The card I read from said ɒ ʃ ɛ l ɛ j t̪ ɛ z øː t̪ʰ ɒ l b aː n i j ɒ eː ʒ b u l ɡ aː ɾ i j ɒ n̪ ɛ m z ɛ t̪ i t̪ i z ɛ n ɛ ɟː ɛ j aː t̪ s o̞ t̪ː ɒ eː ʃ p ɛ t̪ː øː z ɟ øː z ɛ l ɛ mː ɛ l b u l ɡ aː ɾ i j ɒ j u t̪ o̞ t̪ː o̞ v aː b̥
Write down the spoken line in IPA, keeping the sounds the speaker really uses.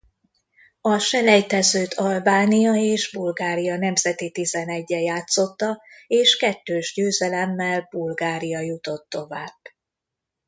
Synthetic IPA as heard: ɒ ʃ ɛ l ɛ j t̪ ɛ z øː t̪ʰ ɒ l b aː n i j ɒ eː ʒ b u l ɡ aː ɾ i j ɒ n̪ ɛ m z ɛ t̪ i t̪ i z ɛ n ɛ ɟː ɛ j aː t̪ s o̞ t̪ː ɒ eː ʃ k ɛ t̪ː øː ʒ ɟ øː z ɛ l ɛ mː ɛ l b u l ɡ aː ɾ i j ɒ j u t̪ o̞ t̪ː o̞ v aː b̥